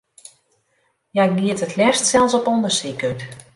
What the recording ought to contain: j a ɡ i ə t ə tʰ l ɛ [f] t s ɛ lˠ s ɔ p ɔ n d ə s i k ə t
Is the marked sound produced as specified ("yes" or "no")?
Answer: no